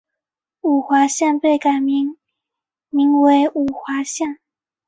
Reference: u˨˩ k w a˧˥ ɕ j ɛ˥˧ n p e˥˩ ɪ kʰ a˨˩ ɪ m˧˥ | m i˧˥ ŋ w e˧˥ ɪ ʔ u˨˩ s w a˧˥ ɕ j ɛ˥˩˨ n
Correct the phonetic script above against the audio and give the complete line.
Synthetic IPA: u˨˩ x w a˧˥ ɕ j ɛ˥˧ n p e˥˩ ɪ k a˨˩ ɪ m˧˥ | m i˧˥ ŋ w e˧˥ ɪ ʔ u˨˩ x w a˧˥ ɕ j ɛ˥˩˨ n